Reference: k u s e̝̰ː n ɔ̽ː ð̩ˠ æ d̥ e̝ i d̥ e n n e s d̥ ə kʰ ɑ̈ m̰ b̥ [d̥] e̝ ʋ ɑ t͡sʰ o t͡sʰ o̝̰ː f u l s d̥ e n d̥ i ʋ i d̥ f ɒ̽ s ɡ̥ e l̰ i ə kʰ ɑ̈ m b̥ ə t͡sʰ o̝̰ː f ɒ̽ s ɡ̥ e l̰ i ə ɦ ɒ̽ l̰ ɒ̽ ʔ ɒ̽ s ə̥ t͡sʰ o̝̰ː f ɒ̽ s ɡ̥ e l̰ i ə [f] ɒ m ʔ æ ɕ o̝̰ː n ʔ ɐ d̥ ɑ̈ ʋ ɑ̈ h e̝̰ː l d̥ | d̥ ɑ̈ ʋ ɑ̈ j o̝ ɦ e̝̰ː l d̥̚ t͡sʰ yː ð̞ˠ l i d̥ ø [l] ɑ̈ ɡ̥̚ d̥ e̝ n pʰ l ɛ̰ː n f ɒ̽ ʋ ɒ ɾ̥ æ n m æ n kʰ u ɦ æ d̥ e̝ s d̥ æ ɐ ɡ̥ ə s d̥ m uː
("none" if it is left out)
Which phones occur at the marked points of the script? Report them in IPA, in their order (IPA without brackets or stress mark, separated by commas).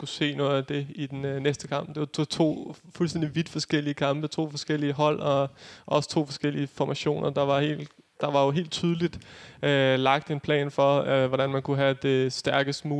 d̥, f, l